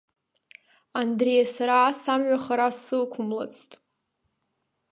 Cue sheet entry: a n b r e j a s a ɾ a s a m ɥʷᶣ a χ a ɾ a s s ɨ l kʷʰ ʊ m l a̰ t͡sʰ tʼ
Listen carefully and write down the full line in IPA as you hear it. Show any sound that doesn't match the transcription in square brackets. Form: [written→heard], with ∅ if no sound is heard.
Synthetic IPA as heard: a n [b→d] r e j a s a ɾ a s a m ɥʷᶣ a χ a ɾ a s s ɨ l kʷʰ ʊ m l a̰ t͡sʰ tʼ